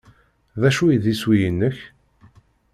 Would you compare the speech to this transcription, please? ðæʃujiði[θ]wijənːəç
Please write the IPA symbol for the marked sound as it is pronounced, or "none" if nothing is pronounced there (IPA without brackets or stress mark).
s